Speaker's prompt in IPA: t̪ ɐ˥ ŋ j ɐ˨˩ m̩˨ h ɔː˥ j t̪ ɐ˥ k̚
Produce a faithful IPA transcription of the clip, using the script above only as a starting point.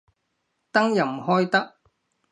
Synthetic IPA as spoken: t̪ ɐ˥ ŋ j ɐ˨˩ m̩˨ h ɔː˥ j t̪ ɐ˥ k̚